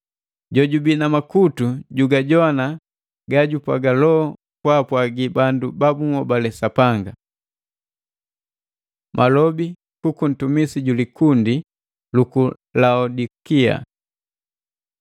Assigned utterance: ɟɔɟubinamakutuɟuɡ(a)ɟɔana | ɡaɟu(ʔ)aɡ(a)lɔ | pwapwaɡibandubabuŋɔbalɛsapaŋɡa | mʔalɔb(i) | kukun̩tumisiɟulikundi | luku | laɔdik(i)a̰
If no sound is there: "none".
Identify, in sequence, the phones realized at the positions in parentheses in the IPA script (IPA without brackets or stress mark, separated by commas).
a, p, a, i, i